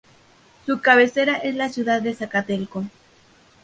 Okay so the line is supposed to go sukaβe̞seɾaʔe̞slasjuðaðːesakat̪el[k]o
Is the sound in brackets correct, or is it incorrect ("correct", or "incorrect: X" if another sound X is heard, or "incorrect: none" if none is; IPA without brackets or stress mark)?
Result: correct